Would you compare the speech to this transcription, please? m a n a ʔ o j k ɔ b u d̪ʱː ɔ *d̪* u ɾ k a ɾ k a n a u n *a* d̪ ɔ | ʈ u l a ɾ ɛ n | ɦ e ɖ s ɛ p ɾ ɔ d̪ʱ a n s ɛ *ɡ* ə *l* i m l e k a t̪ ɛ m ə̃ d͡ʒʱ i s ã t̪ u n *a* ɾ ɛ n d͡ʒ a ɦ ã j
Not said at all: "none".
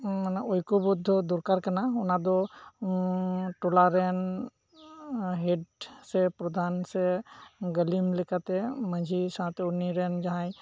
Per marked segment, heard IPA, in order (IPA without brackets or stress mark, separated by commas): d̪, a, ɡ, l, i